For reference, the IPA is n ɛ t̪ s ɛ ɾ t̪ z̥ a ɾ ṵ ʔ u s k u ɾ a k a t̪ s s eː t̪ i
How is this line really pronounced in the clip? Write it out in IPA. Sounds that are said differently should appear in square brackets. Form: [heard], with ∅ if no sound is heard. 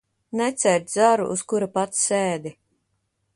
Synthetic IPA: n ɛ t̪ s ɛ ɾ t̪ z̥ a ɾ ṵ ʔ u s k u ɾ a [p] a t̪ s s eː [d̪] i